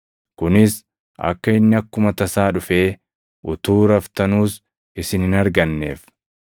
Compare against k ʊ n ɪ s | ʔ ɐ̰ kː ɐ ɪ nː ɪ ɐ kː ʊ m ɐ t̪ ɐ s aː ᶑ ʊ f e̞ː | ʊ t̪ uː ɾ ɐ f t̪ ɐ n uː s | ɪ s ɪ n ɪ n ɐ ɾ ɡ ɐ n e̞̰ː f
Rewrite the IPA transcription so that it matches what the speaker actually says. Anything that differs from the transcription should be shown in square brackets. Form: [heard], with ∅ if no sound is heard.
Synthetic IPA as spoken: k ʊ n ɪ s | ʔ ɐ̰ kː ɐ ɪ nː ɪ ɐ kː ʊ m ɐ t̪ ɐ s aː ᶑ ʊ f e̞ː | ʊ t̪ uː ɾ ɐ f t̪ ɐ n uː s | ɪ s ɪ n ɪ n ɐ ɾ ɡ ɐ [nː] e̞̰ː f